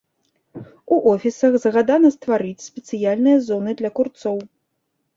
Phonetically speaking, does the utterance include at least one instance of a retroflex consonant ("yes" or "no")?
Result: no